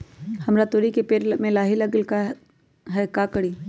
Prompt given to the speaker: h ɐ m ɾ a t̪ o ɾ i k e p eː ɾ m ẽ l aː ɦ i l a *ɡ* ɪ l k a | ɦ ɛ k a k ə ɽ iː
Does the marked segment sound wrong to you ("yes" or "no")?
no